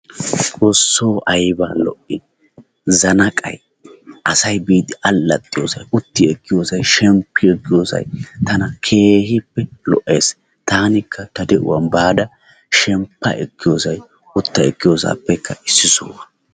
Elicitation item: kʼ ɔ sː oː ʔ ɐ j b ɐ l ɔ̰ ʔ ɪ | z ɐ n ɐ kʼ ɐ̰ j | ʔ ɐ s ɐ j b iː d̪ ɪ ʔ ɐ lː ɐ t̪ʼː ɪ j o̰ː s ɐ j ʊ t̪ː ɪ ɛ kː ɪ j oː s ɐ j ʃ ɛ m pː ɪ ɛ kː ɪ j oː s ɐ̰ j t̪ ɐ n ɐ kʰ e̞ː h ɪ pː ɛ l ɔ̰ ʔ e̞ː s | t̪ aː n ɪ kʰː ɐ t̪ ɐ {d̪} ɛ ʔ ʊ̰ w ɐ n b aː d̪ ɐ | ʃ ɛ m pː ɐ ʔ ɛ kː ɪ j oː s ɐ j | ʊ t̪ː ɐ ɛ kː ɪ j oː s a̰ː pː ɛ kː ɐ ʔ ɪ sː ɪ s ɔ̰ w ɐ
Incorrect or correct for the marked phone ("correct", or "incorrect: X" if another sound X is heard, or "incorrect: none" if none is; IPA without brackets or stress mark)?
correct